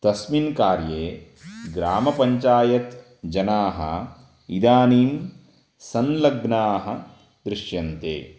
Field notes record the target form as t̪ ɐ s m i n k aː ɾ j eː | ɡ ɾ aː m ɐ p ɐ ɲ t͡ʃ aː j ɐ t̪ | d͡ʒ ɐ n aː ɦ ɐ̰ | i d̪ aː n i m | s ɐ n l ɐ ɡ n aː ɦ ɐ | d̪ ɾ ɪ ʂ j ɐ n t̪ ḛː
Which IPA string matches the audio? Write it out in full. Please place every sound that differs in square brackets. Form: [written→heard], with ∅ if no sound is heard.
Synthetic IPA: t̪ ɐ s m i n k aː ɾ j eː | ɡ ɾ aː m ɐ p ɐ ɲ t͡ʃ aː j ɐ t̪ | d͡ʒ ɐ n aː ɦ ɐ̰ | i d̪ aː n [i→iː] m | s ɐ n l ɐ ɡ n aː ɦ ɐ | d̪ ɾ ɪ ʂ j ɐ n t̪ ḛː